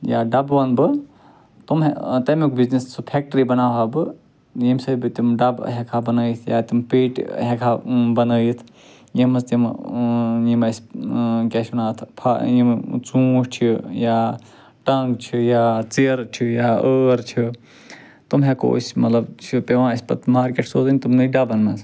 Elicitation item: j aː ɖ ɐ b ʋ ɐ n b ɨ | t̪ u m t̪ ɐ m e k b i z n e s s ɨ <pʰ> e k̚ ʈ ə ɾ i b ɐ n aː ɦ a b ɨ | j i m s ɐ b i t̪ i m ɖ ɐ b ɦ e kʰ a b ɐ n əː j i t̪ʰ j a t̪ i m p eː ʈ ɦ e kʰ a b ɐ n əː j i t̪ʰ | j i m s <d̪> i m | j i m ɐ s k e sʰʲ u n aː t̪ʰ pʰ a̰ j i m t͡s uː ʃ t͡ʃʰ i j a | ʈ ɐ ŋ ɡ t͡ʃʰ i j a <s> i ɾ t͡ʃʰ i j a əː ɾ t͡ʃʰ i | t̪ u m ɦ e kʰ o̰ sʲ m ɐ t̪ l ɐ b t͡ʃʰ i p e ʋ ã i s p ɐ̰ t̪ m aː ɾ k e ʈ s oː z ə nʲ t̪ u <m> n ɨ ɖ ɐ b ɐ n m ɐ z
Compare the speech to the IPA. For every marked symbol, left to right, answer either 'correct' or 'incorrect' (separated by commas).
correct, incorrect, incorrect, correct